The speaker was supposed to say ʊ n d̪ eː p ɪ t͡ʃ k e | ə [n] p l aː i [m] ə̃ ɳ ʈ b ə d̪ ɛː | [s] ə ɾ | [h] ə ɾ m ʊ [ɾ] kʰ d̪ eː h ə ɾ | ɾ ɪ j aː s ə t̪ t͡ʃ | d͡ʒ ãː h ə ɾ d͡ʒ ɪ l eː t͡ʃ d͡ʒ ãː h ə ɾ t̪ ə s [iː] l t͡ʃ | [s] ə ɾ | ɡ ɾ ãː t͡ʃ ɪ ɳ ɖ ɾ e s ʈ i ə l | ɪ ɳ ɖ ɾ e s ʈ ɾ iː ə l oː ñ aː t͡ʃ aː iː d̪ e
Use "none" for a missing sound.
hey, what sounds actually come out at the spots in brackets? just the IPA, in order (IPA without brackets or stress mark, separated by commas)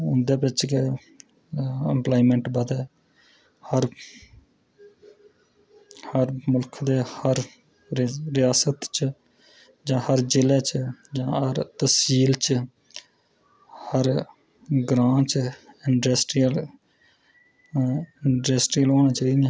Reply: m, m, h, h, l, iː, h